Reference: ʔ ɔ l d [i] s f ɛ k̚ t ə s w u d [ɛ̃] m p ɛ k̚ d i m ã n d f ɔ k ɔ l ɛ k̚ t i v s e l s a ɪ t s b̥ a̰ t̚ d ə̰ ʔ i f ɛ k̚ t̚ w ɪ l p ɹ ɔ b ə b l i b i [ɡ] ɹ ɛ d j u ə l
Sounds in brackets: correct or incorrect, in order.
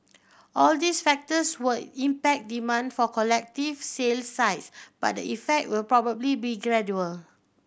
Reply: correct, incorrect: ĩ, correct

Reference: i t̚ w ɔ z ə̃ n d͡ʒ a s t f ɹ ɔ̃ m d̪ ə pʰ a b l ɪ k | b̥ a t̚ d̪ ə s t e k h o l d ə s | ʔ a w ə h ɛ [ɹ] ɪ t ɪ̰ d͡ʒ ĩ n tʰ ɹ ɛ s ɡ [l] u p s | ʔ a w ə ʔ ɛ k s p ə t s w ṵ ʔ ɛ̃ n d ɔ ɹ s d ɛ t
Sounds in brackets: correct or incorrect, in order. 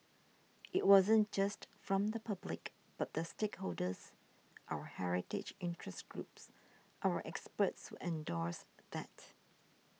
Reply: correct, incorrect: ɹ

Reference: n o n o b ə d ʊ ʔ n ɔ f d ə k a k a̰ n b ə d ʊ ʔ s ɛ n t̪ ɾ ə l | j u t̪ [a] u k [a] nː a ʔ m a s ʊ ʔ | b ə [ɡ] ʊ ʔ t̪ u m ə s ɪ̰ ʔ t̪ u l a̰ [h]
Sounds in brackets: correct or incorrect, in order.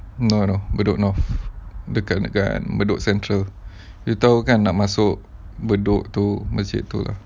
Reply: correct, correct, incorrect: d, correct

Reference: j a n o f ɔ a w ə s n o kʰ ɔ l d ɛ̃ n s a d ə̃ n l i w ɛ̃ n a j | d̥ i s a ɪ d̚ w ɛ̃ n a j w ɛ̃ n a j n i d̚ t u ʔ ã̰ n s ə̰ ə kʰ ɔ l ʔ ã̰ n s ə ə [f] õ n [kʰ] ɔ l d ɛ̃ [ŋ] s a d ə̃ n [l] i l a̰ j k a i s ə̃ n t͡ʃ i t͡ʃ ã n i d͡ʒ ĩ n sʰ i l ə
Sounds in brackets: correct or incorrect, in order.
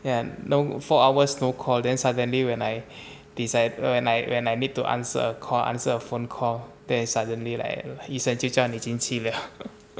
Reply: correct, correct, incorrect: n, correct

